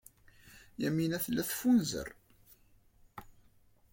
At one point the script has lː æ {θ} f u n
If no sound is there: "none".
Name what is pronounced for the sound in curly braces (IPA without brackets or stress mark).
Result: θ